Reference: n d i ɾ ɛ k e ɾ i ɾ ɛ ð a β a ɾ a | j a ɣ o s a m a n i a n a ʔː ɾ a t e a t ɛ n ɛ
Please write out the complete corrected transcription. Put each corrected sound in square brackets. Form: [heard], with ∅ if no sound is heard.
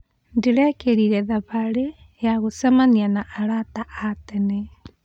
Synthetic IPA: n d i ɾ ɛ k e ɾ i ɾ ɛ ð a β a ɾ [e] | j a ɣ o s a m a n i a n a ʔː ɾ a t [a] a t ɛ n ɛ